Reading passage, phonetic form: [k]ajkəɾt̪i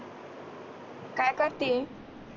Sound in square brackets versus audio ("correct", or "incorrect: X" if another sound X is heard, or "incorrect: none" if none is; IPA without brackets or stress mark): correct